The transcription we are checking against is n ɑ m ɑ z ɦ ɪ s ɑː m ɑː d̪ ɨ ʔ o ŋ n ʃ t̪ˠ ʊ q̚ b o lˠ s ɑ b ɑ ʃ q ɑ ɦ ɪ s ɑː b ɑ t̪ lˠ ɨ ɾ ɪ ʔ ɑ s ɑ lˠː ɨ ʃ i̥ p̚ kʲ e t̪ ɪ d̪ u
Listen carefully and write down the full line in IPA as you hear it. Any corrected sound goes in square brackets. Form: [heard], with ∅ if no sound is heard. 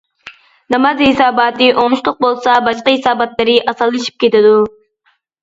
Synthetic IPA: n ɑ m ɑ z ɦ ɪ s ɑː [b] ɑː [t̪] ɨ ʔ o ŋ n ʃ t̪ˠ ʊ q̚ b o lˠ s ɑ b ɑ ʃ q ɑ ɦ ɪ s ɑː b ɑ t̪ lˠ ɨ ɾ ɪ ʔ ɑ s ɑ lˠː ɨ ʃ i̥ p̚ kʲ e t̪ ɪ d̪ u